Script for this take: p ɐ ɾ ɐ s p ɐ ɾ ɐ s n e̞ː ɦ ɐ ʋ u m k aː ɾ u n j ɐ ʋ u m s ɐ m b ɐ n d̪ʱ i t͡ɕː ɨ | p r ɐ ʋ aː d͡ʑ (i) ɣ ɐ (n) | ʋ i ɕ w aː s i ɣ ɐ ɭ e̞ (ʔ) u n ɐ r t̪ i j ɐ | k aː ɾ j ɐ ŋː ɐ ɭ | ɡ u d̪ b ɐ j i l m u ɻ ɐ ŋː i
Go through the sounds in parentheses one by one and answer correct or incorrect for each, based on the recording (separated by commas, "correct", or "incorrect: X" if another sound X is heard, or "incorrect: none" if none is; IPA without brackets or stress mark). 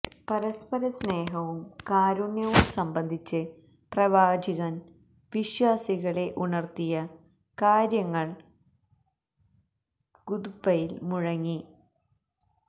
correct, correct, correct